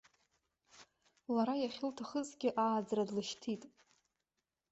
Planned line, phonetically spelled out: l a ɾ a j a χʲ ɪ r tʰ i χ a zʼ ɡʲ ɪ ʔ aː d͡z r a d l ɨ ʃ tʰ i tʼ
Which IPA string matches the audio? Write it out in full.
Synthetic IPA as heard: l a ɾ a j a χʲ ɪ l tʰ a χ ə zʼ ɡʲ ɪ ʔ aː d͡z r a d l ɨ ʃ tʰ i tʼ